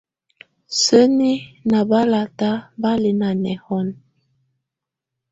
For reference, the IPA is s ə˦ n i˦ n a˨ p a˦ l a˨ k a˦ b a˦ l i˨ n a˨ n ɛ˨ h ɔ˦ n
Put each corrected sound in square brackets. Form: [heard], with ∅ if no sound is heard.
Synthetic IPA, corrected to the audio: s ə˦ n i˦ n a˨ [b] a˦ l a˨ [t] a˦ b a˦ l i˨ n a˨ n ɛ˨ h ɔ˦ n